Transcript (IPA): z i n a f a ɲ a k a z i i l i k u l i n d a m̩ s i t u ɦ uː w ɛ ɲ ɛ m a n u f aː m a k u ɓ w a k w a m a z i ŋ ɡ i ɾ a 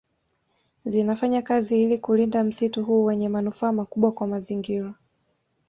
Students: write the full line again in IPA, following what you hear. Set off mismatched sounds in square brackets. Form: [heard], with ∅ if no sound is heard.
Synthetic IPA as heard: z i n a f a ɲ a k a z i i l i k u l i n d a m̩ s i t u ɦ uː w ɛ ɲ ɛ m a n u f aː m a k u ɓ w a k w a m a z i ŋ ɡ i ɾ a